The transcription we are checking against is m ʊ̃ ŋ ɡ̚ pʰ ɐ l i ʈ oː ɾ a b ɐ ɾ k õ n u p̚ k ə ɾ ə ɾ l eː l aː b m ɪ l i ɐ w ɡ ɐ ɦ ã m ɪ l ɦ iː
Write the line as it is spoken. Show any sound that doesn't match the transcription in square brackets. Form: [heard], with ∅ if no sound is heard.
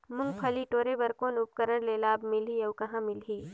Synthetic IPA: m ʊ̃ ŋ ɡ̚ pʰ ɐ l i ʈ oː ɾ [e] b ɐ ɾ k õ n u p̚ k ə ɾ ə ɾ l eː l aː b m ɪ l i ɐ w [k] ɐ ɦ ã m ɪ l ɦ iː